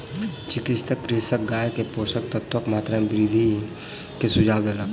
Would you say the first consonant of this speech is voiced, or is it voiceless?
voiceless